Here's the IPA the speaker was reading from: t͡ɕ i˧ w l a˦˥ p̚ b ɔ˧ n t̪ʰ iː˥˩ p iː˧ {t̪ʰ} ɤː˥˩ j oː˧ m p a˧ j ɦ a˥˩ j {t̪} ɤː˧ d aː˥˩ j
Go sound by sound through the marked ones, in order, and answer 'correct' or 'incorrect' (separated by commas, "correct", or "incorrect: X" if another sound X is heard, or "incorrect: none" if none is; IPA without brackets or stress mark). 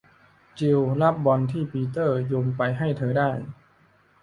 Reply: incorrect: t̪, incorrect: t̪ʰ